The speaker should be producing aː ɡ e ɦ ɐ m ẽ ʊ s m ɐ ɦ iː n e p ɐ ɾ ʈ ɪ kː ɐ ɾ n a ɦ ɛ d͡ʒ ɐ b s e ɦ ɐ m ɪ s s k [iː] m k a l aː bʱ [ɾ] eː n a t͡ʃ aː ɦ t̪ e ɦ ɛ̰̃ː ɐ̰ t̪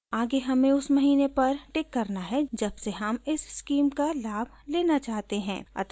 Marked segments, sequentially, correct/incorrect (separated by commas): correct, incorrect